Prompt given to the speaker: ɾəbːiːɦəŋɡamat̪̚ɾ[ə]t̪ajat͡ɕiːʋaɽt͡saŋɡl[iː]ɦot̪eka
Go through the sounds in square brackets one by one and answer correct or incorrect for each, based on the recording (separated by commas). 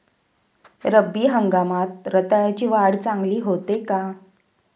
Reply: correct, correct